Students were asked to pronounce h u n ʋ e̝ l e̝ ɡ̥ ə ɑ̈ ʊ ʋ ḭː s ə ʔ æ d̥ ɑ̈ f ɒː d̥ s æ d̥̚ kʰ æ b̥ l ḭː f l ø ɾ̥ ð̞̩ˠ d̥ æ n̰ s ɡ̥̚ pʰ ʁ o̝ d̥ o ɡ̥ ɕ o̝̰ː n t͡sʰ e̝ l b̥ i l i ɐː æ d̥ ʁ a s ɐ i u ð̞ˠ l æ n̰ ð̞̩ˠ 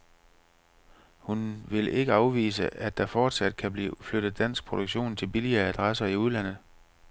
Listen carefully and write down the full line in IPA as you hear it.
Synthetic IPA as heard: h u n ʋ e̝ l e̝ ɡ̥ ə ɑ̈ ʊ ʋ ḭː s ə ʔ æ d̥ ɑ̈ f ɒː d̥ s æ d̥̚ kʰ æ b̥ l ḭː f l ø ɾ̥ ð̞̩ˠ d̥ æ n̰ s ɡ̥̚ pʰ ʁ o̝ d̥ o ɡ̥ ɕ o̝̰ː n t͡sʰ e̝ l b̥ i l i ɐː æ d̥ ʁ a s ɐ i u ð̞ˠ l æ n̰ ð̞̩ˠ